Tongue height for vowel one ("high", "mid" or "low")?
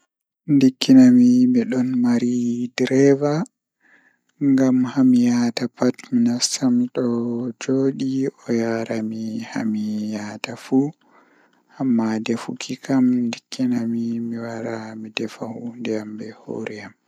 high